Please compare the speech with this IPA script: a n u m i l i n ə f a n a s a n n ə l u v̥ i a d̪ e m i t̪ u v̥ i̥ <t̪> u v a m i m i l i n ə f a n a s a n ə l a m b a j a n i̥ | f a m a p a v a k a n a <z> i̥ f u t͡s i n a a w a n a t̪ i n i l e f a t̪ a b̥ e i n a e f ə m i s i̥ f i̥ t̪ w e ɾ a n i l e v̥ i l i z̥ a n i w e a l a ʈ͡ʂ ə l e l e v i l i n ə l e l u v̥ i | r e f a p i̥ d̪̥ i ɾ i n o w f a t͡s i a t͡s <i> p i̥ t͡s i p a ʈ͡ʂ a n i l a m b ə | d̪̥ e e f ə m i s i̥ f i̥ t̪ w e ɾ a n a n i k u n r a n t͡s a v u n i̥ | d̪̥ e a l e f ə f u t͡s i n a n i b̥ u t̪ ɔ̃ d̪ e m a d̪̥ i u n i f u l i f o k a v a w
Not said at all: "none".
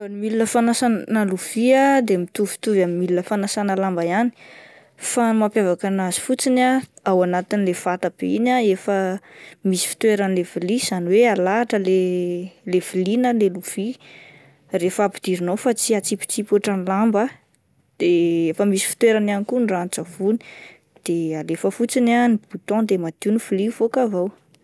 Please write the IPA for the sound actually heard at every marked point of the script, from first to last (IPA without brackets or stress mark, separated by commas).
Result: t̪, z, i